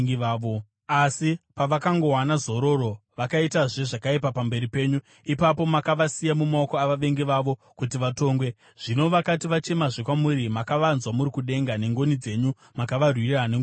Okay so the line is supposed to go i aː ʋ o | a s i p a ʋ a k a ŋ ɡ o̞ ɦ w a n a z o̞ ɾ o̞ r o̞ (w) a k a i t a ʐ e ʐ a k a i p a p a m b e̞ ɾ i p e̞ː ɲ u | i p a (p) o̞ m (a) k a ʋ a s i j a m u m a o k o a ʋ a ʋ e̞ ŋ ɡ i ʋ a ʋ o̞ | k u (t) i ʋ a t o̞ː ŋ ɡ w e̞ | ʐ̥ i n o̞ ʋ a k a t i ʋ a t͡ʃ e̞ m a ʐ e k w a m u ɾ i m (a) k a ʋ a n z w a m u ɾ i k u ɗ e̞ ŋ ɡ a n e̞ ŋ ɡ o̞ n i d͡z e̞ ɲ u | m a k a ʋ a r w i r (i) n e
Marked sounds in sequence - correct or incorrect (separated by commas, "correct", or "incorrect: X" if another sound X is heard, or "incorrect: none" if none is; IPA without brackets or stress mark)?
incorrect: ʋ, correct, correct, correct, correct, incorrect: a